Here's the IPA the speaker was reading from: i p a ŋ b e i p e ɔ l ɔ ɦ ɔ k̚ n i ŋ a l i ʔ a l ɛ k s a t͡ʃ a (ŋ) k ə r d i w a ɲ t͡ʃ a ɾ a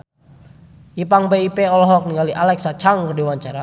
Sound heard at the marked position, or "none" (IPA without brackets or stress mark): ŋ